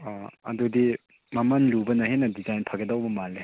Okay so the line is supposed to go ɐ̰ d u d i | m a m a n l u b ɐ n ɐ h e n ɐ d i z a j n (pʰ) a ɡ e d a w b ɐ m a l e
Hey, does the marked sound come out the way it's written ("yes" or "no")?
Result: yes